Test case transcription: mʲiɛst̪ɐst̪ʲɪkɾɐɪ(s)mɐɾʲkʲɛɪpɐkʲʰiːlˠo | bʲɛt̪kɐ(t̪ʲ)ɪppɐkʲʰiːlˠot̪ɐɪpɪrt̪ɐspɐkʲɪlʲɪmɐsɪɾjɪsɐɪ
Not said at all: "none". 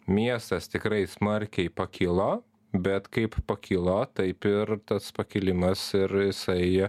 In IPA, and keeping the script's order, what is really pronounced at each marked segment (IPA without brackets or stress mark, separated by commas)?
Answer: s, none